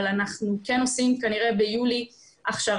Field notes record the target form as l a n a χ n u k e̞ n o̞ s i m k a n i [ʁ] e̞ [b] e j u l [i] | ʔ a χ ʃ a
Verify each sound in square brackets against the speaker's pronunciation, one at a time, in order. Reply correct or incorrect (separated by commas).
correct, correct, correct